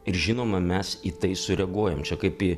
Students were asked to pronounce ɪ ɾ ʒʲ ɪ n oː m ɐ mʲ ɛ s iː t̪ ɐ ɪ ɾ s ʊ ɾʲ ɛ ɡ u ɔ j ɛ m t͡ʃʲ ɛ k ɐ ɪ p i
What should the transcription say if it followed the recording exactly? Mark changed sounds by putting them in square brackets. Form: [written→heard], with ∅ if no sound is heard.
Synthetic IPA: ɪ ɾ ʒʲ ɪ n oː m ɐ mʲ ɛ s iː t̪ ɐ ɪ [ɾ→∅] s ʊ ɾʲ ɛ ɡ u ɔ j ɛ m t͡ʃʲ ɛ k ɐ ɪ p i